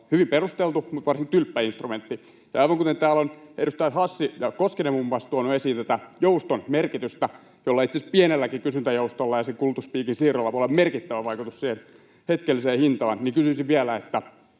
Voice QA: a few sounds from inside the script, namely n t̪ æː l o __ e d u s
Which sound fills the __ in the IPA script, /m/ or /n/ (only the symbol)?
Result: n